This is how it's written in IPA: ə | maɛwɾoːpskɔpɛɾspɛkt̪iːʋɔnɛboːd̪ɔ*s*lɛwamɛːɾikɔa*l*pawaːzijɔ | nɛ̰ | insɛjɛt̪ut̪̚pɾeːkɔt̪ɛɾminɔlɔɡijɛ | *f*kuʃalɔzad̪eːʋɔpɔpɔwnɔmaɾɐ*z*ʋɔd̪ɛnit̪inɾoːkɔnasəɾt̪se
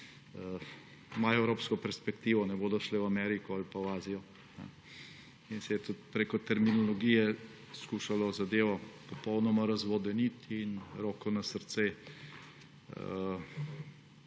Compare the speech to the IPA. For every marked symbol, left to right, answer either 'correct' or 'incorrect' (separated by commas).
incorrect, correct, incorrect, correct